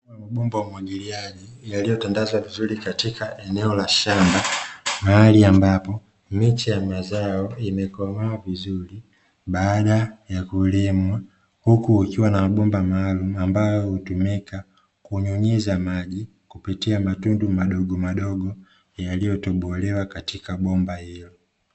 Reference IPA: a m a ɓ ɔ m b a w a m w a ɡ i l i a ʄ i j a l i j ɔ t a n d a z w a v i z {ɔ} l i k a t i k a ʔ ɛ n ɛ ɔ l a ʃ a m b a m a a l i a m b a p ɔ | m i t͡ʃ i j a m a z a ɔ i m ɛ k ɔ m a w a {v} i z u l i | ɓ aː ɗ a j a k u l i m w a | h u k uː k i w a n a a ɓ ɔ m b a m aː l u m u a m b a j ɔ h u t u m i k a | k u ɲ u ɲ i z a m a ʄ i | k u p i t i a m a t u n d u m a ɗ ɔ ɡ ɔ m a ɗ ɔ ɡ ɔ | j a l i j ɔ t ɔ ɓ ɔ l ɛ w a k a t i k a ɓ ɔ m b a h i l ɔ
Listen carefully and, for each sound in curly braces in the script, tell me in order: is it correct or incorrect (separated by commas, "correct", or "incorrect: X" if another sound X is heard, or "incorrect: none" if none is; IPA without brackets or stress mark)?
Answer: incorrect: u, correct